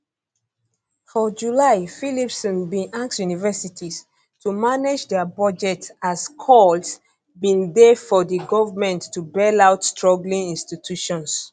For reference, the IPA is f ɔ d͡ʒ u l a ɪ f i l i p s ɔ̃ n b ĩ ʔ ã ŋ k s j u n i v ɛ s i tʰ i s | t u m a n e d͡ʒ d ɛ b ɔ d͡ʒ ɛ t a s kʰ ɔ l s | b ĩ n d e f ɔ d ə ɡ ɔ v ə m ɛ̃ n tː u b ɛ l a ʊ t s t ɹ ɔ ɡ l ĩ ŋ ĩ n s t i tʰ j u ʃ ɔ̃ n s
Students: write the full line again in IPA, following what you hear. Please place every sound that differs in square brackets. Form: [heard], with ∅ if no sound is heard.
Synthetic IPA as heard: f ɔ d͡ʒ u l a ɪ f i l i p s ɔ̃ n b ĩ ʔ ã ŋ k s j u n i v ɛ s i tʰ i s | t u m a n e d͡ʒ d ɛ b ɔ d͡ʒ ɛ t a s kʰ ɔ l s | b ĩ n d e f ɔ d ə ɡ ɔ v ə m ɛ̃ n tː u b ɛ l a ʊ t s t ɹ ɔ ɡ l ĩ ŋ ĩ n s t i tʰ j u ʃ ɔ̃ n s